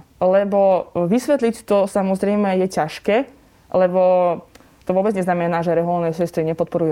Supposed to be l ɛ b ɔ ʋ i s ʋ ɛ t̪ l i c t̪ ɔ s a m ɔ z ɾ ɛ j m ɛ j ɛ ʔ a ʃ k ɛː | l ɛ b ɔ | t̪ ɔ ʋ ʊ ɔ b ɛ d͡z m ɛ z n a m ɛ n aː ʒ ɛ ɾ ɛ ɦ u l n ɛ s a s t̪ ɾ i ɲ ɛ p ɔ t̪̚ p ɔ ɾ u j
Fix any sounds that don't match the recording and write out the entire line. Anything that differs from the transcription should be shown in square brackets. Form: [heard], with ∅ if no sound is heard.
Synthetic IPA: l ɛ b ɔ ʋ i s ʋ ɛ t̪ l i c t̪ ɔ s a m ɔ z ɾ ɛ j m ɛ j ɛ [c] a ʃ k ɛː | l ɛ b ɔ | t̪ ɔ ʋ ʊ ɔ b ɛ d͡z [ɲ] ɛ z n a m ɛ n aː ʒ ɛ ɾ ɛ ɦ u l n ɛ s [ɛ] s t̪ ɾ i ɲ ɛ p ɔ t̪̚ p ɔ ɾ u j